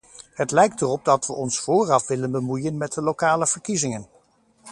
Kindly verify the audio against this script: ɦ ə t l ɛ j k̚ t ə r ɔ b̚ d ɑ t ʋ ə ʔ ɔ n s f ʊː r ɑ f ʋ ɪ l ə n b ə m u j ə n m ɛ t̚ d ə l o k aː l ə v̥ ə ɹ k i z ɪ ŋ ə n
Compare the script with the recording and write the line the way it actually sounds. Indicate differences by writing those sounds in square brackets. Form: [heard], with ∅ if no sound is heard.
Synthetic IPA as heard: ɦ ə t l ɛ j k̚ t ə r ɔ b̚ d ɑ t ʋ ə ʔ ɔ n s f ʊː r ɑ f ʋ ɪ l ə n b ə m u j ə n m ɛ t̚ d ə l o k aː l ə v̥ ə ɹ k i z ɪ ŋ ə n

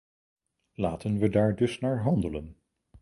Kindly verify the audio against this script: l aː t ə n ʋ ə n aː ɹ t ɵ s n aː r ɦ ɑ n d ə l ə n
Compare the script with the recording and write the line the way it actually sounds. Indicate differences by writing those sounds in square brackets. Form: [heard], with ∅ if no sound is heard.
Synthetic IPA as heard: l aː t ə n ʋ ə [d] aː ɹ [d] ɵ s n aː [ɹ] ɦ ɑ n d ə l ə n

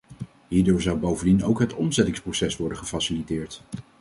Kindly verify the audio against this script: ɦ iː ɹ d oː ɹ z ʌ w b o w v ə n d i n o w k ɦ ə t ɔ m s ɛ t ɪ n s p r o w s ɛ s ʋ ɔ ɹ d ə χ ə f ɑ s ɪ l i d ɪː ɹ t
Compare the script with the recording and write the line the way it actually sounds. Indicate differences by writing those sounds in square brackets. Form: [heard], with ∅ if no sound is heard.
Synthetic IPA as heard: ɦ iː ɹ d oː ɹ z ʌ w b o w v ə n d i n o w k ɦ ə t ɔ m [z] ɛ t ɪ [ŋ] s p r o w s ɛ s ʋ ɔ ɹ d ə χ ə f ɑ s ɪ l i [t] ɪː ɹ t

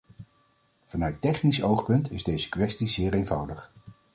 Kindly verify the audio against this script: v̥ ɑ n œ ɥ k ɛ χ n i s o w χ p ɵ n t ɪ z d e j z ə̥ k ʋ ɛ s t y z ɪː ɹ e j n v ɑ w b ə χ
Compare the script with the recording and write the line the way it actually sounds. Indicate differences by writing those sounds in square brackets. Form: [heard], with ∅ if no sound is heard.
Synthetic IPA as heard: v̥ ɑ n œ ɥ [t] ɛ χ n i s o w χ p ɵ n t ɪ z d e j z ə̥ k ʋ ɛ s t [i] z ɪː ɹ e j n v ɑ w [d] ə χ

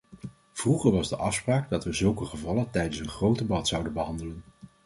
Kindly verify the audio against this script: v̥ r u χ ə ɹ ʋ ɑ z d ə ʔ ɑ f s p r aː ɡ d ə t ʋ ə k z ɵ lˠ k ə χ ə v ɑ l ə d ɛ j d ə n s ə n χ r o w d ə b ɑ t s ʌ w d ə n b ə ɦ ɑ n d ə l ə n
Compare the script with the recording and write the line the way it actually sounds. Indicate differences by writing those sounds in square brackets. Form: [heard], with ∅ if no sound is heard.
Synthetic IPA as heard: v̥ r u χ ə ɹ ʋ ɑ z d ə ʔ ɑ f s p r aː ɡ d [ɑ] t ʋ ə [∅] z ɵ lˠ k ə χ ə v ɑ l ə [t] ɛ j d ə n s ə n χ r o w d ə b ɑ t s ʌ w d ə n b ə ɦ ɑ n d ə l ə n

